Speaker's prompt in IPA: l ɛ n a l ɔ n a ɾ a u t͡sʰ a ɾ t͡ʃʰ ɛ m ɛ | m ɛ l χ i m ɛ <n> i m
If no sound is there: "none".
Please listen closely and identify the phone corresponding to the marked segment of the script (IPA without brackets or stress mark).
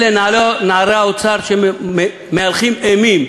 m